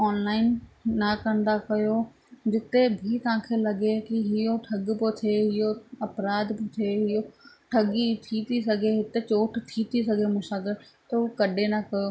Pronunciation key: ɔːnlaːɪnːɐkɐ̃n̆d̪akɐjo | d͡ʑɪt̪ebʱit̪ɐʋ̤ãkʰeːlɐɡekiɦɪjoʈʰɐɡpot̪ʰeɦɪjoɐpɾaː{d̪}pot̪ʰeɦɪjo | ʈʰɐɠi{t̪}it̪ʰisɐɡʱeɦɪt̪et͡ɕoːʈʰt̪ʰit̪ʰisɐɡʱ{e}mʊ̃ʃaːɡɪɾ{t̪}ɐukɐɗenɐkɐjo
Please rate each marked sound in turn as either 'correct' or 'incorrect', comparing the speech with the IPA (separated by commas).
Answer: correct, incorrect, correct, correct